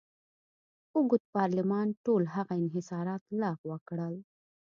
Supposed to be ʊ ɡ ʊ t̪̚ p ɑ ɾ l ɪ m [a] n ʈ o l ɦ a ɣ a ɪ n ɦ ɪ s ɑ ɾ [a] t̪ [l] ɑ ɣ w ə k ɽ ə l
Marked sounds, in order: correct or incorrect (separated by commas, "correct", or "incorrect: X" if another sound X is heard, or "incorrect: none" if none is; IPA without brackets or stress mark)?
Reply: incorrect: ɑ, incorrect: ɑ, correct